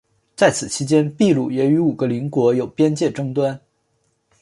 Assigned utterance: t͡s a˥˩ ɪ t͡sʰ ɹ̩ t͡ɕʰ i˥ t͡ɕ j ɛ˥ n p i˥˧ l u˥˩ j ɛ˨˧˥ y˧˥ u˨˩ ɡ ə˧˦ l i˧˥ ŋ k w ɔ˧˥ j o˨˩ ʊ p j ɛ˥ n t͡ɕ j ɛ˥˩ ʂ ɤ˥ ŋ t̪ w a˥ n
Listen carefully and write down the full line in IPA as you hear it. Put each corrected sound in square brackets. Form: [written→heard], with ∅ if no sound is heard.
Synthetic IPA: t͡s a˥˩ ɪ t͡sʰ ɹ̩ t͡ɕʰ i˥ t͡ɕ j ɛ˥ n p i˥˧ l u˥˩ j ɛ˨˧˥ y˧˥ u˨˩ ɡ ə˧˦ l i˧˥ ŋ k w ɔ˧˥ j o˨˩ ʊ p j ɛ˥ n t͡ɕ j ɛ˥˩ [ʂ→ʈ͡ʂ] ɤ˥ ŋ t̪ w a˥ n